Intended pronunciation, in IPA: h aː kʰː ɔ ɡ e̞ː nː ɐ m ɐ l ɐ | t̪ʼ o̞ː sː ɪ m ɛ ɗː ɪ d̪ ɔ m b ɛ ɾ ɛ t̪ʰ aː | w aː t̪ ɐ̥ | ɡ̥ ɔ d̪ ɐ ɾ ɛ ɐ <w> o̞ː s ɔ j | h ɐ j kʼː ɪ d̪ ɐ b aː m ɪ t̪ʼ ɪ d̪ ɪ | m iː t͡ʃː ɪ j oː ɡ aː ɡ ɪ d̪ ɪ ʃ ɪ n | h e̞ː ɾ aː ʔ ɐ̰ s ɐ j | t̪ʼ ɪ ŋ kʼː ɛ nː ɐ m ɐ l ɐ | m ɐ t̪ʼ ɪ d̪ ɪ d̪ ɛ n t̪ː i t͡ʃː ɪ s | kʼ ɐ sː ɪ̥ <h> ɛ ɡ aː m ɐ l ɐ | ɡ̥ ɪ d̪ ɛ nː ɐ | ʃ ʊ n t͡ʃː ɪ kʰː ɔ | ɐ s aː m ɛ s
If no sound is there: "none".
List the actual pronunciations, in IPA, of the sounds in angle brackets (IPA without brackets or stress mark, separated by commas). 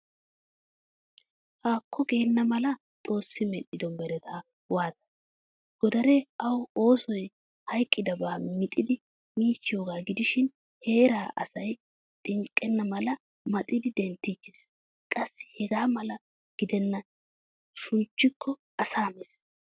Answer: w, h